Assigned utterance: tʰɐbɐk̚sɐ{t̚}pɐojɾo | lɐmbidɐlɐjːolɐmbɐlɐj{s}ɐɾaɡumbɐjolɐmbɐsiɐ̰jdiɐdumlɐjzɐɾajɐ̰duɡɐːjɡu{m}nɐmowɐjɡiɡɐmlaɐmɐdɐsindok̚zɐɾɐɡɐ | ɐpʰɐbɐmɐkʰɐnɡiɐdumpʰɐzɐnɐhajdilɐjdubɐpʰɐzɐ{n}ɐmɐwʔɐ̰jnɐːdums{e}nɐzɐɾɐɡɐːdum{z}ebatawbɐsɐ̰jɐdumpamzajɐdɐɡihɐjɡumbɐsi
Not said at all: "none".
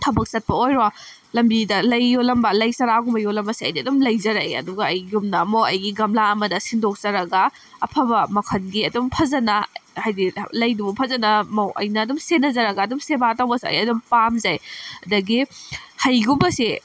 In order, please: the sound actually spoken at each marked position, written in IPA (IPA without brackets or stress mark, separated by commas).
t̚, s, m, n, e, s